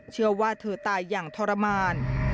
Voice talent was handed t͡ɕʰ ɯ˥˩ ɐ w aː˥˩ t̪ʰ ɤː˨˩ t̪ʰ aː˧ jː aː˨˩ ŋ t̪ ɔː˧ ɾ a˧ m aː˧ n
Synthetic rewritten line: t͡ɕʰ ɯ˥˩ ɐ w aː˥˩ t̪ʰ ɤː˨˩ t̪ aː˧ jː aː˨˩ ŋ t̪ʰ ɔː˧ ɾ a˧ m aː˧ n

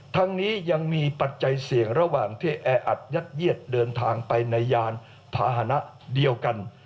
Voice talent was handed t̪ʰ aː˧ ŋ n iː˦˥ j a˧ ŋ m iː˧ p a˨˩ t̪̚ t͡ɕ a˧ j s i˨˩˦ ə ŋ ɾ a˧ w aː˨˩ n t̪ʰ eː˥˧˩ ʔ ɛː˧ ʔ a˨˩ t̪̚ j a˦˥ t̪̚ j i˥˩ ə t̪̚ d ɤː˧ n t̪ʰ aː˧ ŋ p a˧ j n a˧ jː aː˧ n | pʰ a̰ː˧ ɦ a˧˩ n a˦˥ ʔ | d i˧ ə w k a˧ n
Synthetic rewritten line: t̪ʰ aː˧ ŋ n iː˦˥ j a˧ ŋ m iː˧ p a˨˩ t̪̚ t͡ɕ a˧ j s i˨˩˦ ə ŋ ɾ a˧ w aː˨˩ ŋ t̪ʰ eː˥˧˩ ʔ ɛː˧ ʔ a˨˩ t̪̚ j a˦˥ t̪̚ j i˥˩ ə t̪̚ d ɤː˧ n t̪ʰ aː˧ ŋ p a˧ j n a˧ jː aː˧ n | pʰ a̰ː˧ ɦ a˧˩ n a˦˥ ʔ | d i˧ ə w k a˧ n

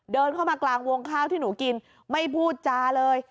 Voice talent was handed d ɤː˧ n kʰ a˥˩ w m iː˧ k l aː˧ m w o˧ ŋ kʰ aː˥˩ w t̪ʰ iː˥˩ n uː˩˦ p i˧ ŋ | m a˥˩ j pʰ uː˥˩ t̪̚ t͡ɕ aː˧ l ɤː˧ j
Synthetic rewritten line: d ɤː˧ n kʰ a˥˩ w m aː˧ k l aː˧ ŋ w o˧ ŋ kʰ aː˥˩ w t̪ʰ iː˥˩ n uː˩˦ k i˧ n | m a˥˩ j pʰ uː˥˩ t̪̚ t͡ɕ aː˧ l ɤː˧ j

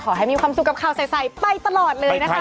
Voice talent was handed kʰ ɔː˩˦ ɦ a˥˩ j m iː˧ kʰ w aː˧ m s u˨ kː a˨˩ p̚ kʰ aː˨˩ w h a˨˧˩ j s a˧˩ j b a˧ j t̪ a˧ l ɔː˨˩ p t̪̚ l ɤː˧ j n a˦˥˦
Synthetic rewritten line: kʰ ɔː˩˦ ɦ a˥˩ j m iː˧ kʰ w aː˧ m s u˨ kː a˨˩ p̚ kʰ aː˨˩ w s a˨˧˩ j s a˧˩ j p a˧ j t̪ a˧ l ɔː˨˩ t̪̚ l ɤː˧ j n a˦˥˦

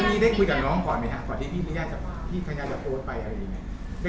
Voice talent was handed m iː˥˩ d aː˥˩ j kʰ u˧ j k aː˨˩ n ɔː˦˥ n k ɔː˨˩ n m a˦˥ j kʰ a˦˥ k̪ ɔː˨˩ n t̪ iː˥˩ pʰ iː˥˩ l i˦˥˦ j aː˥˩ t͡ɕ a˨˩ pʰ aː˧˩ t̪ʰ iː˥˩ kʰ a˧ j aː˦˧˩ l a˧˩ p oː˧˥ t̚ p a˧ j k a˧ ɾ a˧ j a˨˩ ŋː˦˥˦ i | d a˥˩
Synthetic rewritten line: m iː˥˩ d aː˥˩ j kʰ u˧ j k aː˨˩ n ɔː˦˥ ŋ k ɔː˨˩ n m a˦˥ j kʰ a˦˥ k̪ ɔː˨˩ n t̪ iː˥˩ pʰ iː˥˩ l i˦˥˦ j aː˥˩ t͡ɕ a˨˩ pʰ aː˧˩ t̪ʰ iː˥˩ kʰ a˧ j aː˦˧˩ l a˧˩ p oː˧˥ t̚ p a˧ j ʔ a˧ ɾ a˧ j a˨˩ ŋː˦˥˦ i | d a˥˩

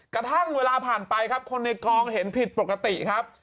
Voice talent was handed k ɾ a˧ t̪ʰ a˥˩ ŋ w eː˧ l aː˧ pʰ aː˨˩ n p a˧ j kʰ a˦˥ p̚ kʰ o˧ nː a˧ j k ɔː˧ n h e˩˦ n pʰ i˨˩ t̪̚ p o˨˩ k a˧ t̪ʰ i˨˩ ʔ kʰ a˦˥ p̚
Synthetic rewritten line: k ɾ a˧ t̪ʰ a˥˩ ŋ w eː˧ l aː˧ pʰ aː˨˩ n p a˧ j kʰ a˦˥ p̚ kʰ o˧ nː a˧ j k ɔː˧ ŋ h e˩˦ n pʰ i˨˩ t̪̚ p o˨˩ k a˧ t̪ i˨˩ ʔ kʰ a˦˥ p̚

